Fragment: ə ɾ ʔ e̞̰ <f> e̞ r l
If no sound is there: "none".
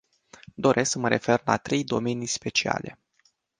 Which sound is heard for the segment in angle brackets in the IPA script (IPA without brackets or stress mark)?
f